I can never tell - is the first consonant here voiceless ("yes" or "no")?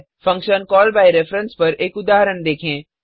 yes